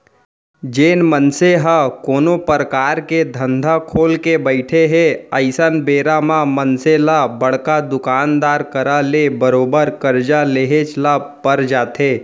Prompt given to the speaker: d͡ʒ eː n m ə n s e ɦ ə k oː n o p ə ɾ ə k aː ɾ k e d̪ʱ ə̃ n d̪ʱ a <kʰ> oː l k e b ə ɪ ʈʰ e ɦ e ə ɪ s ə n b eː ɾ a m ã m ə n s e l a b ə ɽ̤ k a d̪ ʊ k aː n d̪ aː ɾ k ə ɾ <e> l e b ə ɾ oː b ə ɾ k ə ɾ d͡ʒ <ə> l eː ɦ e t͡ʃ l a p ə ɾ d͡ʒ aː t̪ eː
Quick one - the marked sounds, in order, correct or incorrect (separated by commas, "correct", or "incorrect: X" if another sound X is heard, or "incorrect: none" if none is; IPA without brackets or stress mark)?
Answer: correct, incorrect: a, incorrect: a